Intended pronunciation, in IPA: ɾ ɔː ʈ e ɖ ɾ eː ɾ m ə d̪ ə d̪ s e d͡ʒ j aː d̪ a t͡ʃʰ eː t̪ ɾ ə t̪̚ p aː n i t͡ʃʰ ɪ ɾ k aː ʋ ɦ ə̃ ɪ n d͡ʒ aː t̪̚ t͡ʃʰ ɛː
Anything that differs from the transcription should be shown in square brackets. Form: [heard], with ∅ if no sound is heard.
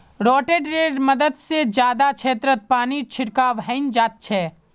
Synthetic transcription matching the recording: ɾ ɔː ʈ e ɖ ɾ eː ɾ m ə d̪ ə d̪ s e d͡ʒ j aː d̪ a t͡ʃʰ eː t̪ ɾ ə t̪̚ p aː n i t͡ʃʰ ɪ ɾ k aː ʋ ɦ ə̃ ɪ n d͡ʒ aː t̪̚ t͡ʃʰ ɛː